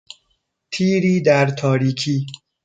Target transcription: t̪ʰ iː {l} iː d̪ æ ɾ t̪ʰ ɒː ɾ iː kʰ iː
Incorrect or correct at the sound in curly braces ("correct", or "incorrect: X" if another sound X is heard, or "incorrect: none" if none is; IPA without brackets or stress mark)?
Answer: incorrect: ɾ